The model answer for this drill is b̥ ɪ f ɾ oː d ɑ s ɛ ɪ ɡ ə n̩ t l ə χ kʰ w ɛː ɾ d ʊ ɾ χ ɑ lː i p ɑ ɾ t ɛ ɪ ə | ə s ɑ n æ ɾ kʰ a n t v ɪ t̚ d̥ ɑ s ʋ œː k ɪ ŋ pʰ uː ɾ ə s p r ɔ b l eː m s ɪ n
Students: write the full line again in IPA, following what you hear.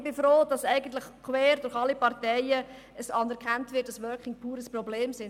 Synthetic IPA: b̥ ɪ f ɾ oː d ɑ s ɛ ɪ ɡ ə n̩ t l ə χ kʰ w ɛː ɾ d ʊ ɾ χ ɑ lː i p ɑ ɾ t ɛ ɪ ə | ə s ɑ n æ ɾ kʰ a n t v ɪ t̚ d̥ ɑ s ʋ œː k ɪ ŋ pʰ uː ɾ ə s p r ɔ b l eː m s ɪ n